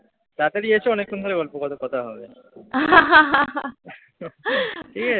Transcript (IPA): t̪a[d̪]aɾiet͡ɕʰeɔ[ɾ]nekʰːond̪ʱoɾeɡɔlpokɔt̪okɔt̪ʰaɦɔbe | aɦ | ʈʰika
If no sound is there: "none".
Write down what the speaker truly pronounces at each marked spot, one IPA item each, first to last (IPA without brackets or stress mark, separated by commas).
t̪, none